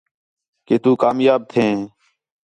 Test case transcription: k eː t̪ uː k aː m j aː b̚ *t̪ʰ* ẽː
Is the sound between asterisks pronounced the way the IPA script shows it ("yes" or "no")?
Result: yes